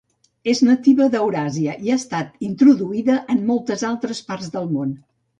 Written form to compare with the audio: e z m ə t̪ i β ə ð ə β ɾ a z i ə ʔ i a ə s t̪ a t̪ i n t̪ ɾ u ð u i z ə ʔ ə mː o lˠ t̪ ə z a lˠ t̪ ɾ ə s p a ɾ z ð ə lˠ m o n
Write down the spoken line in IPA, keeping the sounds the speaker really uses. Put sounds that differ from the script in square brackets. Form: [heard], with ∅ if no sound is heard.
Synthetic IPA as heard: e z [n] ə t̪ i β ə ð ə [w] ɾ a z i ə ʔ i a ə s t̪ a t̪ i n t̪ ɾ u ð u i [ð] ə ʔ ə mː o lˠ t̪ ə z a lˠ t̪ ɾ ə s p a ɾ z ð ə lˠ m o n